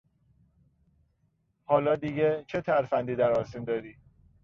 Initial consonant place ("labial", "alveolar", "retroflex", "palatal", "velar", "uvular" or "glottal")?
glottal